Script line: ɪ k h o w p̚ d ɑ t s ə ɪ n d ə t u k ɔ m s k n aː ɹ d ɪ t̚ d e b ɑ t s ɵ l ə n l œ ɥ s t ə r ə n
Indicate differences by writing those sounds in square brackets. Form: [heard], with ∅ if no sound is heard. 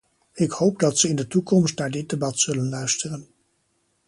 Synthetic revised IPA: ɪ k h o w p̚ d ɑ t s ə ɪ n d ə t u k ɔ m s [t] n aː ɹ d ɪ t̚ d e b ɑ t s ɵ l ə n l œ ɥ s t ə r ə n

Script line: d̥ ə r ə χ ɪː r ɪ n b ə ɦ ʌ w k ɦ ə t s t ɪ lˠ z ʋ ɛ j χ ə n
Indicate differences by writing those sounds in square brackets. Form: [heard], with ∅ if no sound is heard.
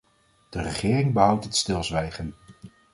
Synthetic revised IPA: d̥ ə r ə χ ɪː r ɪ [ŋ] b ə ɦ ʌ w [t] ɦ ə t s t ɪ lˠ z ʋ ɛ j χ ə n

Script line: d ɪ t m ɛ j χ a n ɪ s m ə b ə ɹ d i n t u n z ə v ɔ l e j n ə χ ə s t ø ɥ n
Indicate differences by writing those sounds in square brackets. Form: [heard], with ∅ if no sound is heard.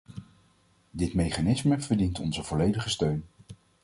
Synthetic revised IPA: d ɪ t m [e] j χ a n ɪ s m ə [v] ə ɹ d i n t [ɔ] n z ə v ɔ l e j [d] ə χ ə s t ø ɥ n

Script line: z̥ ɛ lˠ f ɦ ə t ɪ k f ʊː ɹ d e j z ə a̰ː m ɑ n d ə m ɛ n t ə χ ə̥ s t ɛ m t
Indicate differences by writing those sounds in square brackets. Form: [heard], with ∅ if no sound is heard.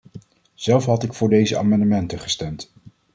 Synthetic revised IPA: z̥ ɛ lˠ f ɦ [ɑ] t ɪ k f ʊː ɹ d e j z ə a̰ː m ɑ n d ə m ɛ n t ə χ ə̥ s t ɛ m t

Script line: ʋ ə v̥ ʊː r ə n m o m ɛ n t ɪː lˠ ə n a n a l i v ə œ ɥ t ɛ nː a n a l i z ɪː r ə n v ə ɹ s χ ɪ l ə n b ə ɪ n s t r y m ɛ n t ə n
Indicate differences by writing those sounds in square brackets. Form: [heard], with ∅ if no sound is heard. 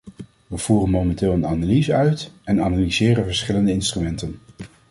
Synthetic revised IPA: ʋ ə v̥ [uː] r ə n m o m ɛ n t ɪː lˠ ə n a n a l i [z] ə œ ɥ t ɛ [n] a n a l i z ɪː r ə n v ə ɹ s χ ɪ l ə n [d] ə ɪ n s t r y m ɛ n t ə n

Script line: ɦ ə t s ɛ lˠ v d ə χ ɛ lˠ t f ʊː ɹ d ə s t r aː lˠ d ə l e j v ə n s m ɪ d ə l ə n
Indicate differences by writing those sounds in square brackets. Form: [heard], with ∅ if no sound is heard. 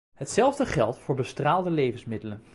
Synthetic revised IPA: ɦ ə t s ɛ lˠ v d ə χ ɛ lˠ t f ʊː ɹ [b] ə s t r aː lˠ d ə l e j v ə n s m ɪ d ə l ə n

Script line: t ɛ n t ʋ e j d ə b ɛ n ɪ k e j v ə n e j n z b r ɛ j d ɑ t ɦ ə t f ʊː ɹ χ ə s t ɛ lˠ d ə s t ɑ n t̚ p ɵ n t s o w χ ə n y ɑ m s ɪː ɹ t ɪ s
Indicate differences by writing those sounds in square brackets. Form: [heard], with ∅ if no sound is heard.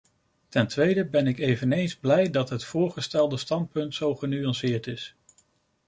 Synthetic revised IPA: t ɛ n t ʋ e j d ə b ɛ n ɪ k e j v ə n e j n z b [l] ɛ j d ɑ t ɦ ə t f ʊː ɹ χ ə s t ɛ lˠ d ə s t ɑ n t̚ p ɵ n t s o w χ ə n y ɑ [n] s ɪː ɹ t ɪ s

